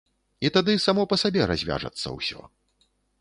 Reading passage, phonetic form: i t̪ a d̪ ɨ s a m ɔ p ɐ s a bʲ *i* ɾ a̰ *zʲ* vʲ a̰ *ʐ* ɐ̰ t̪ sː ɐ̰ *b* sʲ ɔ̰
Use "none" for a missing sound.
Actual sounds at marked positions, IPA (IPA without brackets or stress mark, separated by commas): ɛ, zʲ, ʐ, w